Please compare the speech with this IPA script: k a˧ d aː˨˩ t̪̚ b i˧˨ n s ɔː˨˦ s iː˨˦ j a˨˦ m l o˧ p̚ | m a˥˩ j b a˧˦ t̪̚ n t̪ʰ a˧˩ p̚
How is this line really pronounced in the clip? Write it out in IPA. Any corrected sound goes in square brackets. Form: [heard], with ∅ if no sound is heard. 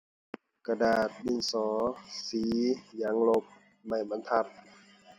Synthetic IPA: k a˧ d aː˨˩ t̪̚ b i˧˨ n s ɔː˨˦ s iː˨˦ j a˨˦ [ŋ] l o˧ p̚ | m [a˧˩] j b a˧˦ [∅] n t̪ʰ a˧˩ p̚